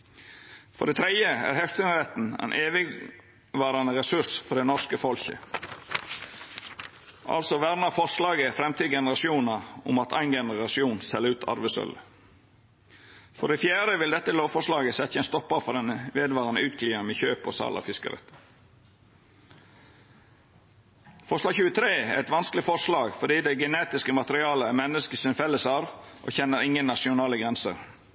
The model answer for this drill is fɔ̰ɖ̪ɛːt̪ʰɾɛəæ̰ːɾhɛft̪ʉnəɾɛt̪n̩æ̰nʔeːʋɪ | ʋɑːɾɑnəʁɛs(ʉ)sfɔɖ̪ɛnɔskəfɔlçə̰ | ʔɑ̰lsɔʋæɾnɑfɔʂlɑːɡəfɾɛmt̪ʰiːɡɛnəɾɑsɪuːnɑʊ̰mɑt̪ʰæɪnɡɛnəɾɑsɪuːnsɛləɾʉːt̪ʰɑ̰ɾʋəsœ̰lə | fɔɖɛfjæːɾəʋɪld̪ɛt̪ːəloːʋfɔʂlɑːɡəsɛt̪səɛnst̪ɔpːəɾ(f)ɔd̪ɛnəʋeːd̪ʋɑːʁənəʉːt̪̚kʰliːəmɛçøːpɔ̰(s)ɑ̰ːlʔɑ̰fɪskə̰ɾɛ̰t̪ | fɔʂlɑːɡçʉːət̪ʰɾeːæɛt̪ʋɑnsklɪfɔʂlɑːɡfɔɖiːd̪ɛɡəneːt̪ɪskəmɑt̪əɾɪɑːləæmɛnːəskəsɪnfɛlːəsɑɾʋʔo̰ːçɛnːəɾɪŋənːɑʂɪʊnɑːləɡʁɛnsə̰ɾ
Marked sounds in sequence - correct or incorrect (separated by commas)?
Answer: correct, correct, correct